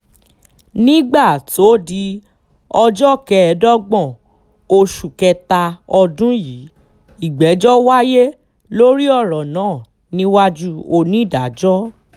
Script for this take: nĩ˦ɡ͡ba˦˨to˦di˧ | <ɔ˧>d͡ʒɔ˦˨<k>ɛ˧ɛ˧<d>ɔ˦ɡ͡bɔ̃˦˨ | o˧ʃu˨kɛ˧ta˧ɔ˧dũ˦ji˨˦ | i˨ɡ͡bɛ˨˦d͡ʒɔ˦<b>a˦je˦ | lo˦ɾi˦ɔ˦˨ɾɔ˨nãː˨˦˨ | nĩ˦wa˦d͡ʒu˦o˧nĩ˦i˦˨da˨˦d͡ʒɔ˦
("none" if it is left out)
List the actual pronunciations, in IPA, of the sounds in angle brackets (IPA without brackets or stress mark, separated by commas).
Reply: ɔ˧, k, d, w